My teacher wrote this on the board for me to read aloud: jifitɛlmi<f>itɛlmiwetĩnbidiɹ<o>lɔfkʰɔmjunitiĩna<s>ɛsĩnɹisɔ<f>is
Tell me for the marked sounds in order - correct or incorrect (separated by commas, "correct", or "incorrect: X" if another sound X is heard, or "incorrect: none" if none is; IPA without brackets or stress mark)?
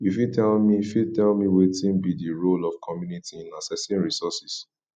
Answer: correct, correct, correct, incorrect: s